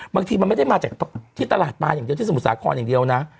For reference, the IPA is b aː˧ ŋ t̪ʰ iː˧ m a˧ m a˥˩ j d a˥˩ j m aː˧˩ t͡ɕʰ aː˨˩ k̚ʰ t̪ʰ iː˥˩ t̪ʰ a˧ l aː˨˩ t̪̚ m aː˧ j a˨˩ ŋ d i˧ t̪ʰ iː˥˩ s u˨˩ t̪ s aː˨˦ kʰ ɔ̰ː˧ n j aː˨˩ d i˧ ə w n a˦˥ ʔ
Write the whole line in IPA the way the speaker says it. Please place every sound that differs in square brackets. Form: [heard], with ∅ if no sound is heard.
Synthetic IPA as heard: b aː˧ ŋ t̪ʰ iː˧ m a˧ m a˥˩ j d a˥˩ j m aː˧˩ [t͡ɕ] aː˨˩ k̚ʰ t̪ʰ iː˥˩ [t̪] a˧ l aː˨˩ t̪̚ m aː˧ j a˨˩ ŋ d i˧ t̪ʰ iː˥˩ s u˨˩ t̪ s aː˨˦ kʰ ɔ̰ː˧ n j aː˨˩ d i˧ ə w n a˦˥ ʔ